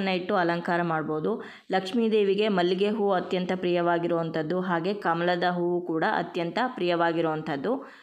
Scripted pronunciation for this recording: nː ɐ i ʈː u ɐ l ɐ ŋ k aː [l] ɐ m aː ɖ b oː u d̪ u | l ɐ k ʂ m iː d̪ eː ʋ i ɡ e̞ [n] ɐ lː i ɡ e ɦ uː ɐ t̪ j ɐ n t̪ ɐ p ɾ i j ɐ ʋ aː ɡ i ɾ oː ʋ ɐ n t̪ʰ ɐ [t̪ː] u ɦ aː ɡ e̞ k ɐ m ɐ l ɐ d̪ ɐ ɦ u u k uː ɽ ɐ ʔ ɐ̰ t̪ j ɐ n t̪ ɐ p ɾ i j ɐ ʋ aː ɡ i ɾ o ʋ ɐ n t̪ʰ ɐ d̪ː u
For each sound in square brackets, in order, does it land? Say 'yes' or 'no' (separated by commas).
no, no, no